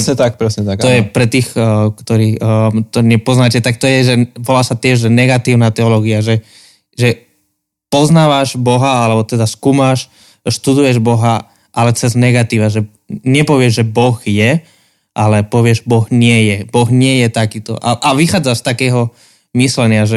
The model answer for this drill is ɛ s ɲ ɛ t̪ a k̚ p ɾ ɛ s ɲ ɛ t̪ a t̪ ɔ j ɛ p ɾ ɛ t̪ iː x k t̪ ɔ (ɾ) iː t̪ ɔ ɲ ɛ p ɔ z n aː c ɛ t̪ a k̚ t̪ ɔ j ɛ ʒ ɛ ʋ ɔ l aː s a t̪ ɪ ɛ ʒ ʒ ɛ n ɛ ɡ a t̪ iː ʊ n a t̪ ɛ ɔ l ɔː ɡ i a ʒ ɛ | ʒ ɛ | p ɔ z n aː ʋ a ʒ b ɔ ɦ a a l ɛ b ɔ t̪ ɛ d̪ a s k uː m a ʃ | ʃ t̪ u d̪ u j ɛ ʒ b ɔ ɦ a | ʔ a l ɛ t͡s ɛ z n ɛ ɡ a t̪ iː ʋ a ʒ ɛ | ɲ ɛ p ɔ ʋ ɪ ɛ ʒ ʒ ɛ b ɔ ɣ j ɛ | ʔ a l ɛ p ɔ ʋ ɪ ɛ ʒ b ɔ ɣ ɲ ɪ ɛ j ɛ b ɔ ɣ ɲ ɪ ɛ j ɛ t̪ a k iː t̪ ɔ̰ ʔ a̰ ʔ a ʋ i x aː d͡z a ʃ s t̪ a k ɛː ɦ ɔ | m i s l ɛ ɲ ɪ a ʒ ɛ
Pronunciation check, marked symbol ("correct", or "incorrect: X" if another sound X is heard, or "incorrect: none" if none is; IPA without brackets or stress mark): correct